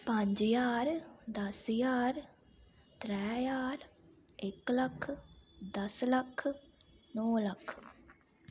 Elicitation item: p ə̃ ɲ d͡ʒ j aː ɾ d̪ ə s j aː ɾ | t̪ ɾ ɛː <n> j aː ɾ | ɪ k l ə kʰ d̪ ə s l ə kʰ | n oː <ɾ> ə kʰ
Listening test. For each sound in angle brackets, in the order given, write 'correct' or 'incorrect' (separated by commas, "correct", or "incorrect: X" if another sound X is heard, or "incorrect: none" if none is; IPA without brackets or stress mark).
incorrect: none, incorrect: l